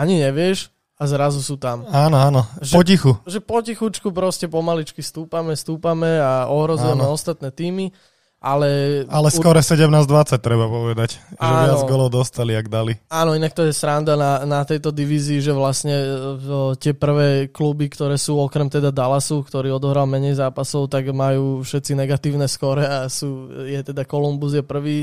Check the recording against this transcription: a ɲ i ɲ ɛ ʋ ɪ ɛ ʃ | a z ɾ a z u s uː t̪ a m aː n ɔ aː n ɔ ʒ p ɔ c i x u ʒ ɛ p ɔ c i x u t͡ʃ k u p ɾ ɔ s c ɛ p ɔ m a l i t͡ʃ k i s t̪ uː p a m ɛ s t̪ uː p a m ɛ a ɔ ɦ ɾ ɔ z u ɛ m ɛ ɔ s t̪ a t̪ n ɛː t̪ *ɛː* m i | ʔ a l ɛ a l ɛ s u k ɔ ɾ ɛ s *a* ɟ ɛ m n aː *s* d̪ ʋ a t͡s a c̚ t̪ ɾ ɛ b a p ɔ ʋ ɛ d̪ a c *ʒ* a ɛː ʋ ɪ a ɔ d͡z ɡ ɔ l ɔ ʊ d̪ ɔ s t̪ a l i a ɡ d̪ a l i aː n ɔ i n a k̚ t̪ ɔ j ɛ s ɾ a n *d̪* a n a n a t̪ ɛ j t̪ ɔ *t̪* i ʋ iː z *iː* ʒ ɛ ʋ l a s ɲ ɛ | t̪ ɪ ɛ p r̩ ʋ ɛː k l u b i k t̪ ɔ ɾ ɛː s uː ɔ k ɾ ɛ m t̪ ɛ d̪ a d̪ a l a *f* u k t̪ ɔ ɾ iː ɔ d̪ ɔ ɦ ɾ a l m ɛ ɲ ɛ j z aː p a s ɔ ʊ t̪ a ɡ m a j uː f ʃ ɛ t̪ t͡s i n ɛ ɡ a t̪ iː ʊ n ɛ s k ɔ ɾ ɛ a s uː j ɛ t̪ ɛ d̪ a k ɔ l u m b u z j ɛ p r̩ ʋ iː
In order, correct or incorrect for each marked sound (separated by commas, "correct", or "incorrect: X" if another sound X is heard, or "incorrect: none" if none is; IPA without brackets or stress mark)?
incorrect: iː, incorrect: ɛ, incorrect: z, correct, correct, incorrect: d̪, correct, incorrect: s